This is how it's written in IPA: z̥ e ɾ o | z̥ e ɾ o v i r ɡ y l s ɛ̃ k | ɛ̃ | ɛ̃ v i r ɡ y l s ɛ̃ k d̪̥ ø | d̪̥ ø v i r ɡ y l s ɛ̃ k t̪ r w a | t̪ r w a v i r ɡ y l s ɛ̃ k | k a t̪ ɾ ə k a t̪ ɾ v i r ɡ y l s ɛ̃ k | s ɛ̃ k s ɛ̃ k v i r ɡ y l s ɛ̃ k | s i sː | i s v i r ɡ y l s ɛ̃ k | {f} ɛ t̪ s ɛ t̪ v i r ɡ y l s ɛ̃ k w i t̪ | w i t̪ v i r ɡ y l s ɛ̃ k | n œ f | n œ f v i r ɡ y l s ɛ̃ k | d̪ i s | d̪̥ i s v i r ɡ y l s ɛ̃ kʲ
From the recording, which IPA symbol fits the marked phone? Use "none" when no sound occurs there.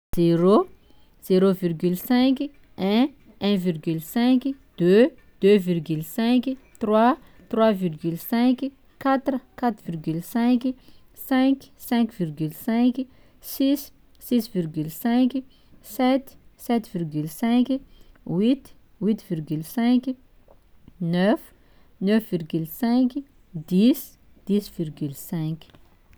s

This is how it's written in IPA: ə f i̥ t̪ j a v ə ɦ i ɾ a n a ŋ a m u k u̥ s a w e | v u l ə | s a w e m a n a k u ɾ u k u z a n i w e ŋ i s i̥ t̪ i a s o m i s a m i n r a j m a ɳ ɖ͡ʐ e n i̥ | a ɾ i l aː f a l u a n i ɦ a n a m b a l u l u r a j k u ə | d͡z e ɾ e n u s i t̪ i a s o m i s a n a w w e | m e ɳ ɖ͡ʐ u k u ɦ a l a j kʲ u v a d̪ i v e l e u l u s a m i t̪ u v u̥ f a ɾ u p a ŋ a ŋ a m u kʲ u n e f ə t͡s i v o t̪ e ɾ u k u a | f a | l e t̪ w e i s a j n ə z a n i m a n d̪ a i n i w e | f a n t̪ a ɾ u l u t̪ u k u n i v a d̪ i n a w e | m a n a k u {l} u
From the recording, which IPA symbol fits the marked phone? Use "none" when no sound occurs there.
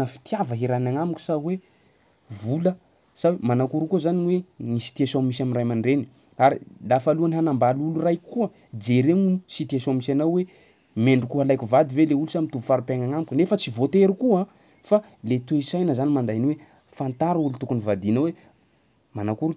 ɾ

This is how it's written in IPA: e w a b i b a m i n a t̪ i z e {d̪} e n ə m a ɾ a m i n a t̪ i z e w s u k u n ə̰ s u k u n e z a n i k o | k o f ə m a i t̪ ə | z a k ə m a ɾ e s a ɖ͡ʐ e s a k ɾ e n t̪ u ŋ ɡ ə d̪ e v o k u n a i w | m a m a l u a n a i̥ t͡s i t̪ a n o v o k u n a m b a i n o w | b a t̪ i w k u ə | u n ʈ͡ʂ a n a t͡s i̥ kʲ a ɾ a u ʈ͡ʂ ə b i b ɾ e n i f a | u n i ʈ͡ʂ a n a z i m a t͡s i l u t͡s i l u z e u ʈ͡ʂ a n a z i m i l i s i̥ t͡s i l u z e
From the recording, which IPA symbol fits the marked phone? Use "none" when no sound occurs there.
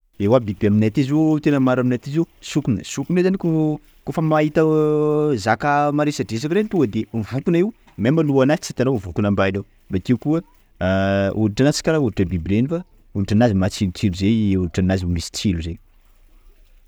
t̪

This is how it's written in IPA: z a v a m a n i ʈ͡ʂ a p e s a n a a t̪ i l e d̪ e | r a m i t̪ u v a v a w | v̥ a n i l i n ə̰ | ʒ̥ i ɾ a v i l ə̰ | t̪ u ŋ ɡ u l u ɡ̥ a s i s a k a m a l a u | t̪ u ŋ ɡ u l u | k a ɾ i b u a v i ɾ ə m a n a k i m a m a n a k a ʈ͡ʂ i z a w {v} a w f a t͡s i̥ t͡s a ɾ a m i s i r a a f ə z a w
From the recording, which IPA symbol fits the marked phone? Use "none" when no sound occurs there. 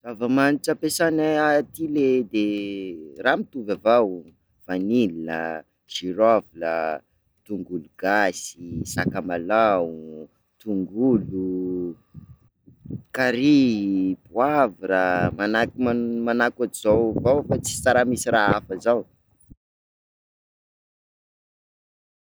v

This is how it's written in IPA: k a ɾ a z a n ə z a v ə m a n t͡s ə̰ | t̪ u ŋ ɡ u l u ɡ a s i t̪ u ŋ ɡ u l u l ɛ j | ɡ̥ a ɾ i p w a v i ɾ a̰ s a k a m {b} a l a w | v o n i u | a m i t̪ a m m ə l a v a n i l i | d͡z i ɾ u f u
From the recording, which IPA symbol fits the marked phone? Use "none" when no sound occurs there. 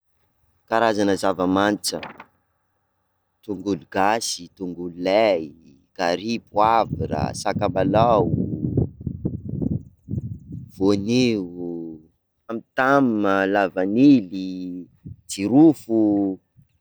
b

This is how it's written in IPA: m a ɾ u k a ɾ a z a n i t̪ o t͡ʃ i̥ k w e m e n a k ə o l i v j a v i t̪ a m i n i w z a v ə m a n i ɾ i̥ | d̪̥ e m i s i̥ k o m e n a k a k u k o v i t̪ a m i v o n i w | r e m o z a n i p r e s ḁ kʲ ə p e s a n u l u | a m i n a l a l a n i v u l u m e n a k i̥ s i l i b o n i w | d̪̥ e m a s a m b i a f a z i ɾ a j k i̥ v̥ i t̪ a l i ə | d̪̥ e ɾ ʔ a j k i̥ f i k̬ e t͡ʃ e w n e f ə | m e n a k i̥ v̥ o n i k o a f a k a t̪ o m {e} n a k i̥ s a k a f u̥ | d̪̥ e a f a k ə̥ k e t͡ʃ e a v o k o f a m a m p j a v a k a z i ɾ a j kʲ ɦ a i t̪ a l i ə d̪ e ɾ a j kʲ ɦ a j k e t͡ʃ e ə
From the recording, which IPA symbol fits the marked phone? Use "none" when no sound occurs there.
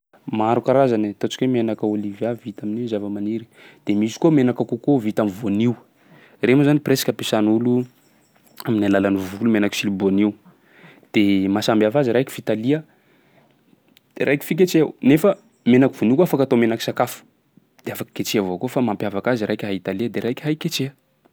e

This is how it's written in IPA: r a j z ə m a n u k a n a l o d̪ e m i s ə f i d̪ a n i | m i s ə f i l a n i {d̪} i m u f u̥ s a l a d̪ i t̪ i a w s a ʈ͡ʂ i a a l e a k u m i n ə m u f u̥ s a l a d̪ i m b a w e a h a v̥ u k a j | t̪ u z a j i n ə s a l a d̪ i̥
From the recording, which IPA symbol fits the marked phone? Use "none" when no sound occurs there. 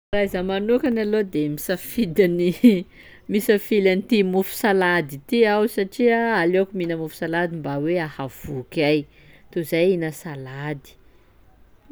t̪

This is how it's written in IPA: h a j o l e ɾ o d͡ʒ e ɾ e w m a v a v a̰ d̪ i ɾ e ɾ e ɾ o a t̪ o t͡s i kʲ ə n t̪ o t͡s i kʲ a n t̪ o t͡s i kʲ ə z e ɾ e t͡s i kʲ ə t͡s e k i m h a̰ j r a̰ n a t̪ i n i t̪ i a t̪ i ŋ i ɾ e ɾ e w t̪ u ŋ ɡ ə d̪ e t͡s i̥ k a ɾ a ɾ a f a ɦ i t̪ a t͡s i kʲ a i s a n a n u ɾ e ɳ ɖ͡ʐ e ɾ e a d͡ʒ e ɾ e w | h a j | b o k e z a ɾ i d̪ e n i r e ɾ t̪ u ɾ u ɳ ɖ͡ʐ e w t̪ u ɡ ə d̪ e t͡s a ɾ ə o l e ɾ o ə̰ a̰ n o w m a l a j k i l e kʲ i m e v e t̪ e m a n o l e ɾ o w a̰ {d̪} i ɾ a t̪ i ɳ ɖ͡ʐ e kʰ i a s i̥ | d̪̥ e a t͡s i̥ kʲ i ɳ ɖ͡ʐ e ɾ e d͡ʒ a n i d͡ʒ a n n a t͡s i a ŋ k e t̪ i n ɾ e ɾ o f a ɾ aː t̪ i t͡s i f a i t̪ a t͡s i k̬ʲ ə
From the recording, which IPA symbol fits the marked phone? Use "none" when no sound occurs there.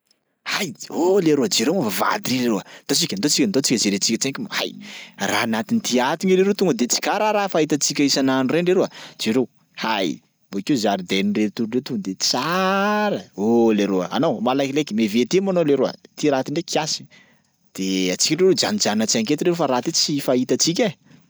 t̪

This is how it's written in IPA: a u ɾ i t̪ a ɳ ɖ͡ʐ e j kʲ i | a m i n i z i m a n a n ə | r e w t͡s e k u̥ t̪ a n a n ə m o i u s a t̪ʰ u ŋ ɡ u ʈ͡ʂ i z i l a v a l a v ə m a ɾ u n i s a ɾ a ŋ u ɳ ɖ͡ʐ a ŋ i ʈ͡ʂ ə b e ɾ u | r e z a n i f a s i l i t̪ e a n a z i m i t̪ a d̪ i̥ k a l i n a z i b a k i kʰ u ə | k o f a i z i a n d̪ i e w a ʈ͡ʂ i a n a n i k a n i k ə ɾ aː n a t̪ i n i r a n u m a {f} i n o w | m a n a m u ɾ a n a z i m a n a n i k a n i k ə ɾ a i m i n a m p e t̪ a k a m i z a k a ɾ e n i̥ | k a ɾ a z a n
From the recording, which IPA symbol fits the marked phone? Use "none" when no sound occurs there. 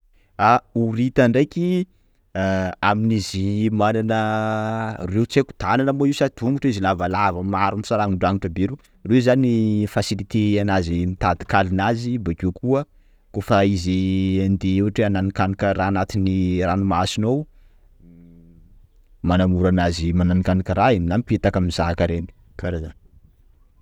s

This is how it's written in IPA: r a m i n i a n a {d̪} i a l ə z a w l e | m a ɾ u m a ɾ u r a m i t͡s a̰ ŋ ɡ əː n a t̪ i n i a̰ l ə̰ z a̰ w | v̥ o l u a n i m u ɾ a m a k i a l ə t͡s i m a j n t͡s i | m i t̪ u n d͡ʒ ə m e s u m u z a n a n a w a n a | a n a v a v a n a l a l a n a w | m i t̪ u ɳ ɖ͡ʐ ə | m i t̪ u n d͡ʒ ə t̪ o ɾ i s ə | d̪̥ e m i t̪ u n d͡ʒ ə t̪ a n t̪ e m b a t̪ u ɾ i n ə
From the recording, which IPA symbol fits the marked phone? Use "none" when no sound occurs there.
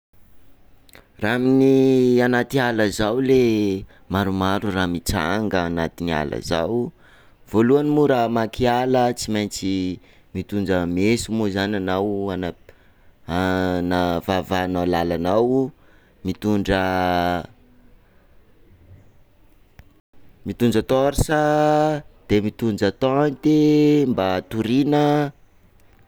t̪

